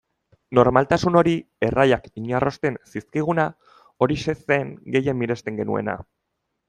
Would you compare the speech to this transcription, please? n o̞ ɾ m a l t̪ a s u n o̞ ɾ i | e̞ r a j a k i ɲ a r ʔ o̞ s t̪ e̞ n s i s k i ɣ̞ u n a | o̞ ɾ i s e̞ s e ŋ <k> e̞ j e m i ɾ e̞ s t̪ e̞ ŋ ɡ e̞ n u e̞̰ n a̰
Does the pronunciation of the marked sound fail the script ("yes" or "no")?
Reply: yes